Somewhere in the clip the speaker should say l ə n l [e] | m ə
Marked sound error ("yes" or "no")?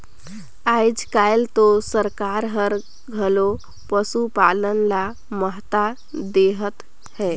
yes